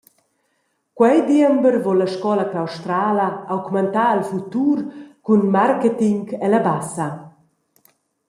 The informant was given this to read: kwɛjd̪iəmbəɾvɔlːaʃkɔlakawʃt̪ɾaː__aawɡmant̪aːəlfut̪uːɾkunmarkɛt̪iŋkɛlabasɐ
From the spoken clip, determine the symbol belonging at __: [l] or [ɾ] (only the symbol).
l